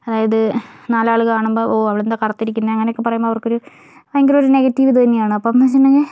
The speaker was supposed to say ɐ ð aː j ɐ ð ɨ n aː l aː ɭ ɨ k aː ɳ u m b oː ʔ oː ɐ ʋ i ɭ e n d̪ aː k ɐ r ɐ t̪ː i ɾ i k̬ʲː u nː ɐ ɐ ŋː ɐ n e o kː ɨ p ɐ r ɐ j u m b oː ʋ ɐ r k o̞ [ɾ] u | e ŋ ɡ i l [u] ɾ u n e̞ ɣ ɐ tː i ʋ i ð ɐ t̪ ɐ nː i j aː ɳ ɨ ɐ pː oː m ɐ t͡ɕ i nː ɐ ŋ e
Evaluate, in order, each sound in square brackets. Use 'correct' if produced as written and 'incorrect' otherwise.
correct, incorrect: o

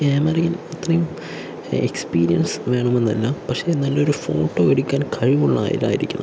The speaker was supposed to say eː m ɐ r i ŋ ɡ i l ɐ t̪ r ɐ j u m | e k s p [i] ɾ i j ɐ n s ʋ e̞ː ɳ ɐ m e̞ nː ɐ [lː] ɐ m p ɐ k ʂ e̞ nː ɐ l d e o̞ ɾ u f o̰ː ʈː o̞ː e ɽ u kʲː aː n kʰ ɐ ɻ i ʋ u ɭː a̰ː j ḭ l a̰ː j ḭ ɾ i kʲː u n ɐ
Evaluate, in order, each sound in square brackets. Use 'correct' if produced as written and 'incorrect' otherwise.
incorrect: iː, correct

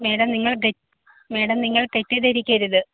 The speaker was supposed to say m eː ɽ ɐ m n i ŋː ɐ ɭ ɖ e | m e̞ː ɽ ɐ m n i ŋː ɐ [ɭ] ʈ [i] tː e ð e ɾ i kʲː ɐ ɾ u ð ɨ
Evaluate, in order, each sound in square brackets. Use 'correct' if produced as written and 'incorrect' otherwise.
correct, incorrect: e

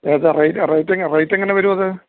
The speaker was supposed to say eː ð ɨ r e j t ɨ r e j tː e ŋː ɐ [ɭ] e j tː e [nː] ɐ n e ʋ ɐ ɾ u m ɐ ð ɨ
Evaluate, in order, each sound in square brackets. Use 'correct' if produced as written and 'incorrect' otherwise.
incorrect: r, incorrect: ŋː

